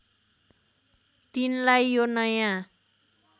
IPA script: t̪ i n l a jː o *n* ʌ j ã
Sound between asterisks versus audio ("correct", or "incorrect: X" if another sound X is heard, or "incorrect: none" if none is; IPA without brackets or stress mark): correct